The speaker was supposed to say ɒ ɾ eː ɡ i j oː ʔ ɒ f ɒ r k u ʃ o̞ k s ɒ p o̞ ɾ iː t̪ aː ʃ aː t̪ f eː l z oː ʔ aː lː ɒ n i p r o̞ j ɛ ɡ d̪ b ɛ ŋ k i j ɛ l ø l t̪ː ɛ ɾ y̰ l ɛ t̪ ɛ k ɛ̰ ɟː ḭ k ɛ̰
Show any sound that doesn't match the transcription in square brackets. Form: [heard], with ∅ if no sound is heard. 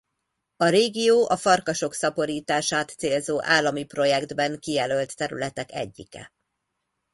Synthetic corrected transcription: ɒ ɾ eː ɡ i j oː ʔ ɒ f ɒ r k [ɒ] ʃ o̞ k s ɒ p o̞ ɾ iː t̪ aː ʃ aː t̪ [s] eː l z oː ʔ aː lː ɒ [m] i p r o̞ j ɛ ɡ d̪ b ɛ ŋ k i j ɛ l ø l t̪ː ɛ ɾ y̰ l ɛ t̪ ɛ k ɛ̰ ɟː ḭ k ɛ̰